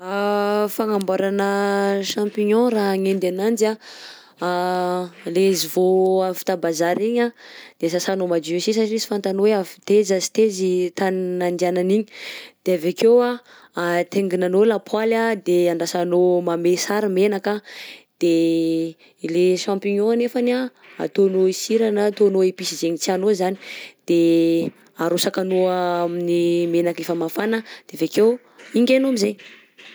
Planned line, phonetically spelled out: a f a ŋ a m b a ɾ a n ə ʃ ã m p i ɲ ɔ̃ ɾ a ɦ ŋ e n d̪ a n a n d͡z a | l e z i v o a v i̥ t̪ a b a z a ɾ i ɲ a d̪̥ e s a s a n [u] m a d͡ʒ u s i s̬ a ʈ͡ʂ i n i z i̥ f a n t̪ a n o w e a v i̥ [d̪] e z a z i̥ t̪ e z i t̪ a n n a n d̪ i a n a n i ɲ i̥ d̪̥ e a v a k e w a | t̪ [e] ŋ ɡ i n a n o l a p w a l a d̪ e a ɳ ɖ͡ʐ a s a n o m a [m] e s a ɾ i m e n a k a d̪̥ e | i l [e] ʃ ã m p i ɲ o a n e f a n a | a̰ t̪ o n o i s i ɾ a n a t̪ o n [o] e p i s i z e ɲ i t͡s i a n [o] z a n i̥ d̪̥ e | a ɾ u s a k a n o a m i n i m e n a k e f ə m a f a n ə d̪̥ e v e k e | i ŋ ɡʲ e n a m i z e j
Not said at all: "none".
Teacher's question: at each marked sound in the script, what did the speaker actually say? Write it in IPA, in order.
o, t̪, e, m, e, o, o

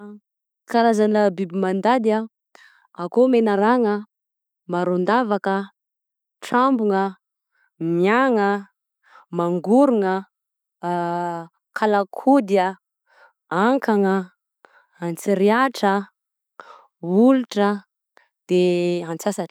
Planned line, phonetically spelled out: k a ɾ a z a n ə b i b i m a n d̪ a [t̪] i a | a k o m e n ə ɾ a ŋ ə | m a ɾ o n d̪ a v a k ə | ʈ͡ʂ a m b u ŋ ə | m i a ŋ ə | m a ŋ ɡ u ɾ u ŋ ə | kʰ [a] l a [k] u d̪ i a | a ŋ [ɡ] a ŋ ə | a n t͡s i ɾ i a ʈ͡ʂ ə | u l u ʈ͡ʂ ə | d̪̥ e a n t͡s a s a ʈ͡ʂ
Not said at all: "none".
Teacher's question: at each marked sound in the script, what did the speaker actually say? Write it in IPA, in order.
d̪, a, kʰ, k

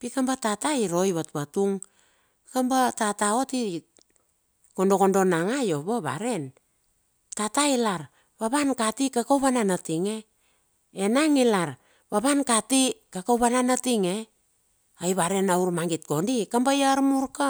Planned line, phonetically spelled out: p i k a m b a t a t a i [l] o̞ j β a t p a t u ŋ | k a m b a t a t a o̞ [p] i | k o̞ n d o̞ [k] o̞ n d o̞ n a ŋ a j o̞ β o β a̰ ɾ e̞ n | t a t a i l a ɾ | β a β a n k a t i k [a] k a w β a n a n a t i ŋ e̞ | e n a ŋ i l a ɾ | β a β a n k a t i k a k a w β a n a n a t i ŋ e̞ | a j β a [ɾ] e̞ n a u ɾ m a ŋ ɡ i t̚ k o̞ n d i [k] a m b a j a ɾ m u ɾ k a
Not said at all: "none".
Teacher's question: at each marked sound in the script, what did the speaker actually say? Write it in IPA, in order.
ɾ, t, k, a, ɾ, k

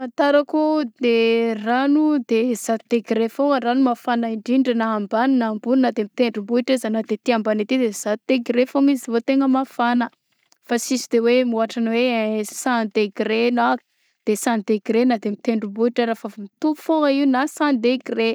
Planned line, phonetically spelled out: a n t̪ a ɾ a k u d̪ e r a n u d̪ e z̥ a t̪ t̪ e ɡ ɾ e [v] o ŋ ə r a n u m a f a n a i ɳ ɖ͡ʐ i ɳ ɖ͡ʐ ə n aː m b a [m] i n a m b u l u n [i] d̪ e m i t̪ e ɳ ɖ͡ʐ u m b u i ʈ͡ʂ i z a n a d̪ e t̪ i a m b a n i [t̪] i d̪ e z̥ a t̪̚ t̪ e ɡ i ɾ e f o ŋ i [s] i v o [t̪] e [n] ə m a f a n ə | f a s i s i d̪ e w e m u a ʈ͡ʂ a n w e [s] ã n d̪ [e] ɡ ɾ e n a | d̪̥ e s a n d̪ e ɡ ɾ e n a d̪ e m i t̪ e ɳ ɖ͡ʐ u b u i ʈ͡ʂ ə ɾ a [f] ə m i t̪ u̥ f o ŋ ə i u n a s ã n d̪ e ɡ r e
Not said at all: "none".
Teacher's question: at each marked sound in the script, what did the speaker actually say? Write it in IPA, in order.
f, n, a, t̪, z, t̪, ŋ, s, e, f

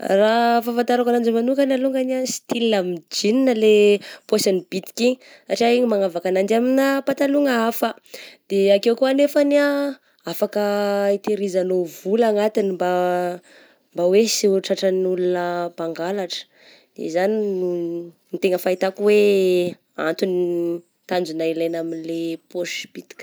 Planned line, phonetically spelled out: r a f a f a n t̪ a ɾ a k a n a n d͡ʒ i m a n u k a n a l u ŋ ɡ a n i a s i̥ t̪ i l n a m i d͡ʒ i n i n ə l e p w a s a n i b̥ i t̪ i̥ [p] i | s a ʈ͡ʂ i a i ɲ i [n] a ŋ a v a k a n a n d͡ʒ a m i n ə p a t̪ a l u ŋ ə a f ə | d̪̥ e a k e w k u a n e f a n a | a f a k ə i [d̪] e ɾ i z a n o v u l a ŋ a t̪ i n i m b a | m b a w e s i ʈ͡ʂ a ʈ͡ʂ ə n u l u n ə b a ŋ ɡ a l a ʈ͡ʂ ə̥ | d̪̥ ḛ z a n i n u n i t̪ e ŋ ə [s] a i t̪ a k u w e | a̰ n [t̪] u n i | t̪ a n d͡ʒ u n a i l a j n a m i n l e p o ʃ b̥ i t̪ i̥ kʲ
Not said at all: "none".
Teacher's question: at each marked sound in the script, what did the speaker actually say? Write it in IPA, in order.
k, m, t̪, f, t̪

